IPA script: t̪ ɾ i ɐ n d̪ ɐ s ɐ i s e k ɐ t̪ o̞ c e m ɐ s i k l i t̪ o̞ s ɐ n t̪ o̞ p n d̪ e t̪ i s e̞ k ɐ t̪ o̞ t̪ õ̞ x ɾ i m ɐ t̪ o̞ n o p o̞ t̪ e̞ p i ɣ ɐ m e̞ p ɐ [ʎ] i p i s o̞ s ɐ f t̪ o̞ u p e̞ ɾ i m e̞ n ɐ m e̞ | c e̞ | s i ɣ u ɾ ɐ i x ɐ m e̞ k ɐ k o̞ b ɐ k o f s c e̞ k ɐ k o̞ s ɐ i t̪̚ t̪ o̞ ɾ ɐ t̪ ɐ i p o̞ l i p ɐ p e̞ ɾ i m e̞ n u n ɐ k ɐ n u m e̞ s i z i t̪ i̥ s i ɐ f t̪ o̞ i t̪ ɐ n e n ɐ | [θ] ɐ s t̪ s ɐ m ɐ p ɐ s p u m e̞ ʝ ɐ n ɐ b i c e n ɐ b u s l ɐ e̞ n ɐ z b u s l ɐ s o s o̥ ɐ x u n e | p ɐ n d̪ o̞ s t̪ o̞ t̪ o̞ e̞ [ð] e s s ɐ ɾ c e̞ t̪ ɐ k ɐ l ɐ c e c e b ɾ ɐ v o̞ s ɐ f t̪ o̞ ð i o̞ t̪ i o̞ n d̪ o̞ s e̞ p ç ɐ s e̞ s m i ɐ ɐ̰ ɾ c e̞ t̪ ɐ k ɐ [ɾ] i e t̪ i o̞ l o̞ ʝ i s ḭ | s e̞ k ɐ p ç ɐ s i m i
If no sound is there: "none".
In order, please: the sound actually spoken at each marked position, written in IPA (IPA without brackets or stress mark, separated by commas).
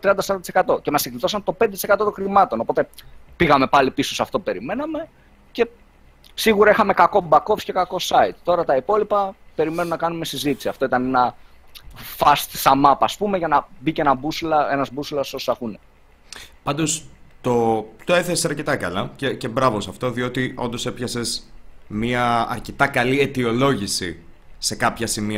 l, f, θ, l